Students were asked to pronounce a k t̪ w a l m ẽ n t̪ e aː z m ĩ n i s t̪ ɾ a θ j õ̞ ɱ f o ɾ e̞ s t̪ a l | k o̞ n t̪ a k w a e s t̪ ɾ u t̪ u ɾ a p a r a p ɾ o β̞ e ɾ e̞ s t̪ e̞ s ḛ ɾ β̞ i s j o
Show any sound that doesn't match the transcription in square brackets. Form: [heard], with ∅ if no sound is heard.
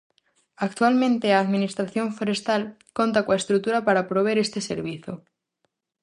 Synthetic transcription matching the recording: a k t̪ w a l m ẽ n t̪ e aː [ð] m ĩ n i s t̪ ɾ a θ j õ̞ ɱ f o ɾ e̞ s t̪ a l | k o̞ n t̪ a k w a e s t̪ ɾ u t̪ u ɾ a p a [ɾ] a p ɾ o β̞ e ɾ e̞ s t̪ e̞ s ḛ ɾ β̞ i [θ] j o